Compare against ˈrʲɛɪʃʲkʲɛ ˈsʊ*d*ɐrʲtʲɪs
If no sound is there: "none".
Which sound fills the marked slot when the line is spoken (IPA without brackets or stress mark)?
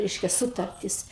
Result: t